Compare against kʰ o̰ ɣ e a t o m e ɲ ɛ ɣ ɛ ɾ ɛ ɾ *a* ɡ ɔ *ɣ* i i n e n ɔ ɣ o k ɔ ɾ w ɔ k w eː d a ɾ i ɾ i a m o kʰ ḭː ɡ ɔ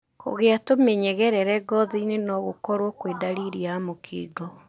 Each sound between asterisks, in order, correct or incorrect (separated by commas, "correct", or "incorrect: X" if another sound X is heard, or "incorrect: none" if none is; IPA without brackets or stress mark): incorrect: ɛ, incorrect: ð